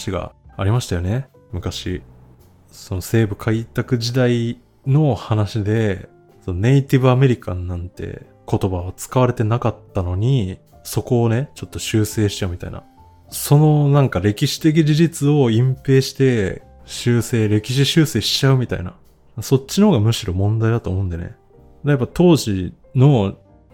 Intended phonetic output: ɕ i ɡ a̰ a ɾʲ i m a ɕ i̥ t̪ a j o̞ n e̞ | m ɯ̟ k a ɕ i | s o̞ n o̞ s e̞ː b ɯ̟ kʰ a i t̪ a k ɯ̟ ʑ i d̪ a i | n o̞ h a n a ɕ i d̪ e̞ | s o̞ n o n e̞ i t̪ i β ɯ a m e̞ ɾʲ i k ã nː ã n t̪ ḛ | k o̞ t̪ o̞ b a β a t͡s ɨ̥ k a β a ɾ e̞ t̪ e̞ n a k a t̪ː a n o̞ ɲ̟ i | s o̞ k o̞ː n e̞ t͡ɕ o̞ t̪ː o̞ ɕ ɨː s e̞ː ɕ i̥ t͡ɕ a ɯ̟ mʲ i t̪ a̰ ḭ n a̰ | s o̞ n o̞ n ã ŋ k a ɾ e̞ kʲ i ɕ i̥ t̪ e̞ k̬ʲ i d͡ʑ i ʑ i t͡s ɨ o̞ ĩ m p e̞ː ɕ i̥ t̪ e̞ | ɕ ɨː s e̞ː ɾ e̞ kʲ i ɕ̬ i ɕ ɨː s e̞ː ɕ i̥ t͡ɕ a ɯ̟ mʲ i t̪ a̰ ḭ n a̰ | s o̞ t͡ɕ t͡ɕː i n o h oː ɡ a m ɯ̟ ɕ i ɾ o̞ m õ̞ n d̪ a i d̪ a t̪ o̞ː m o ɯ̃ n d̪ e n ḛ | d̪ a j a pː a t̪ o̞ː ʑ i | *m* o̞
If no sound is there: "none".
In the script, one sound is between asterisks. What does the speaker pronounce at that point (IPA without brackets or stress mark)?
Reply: n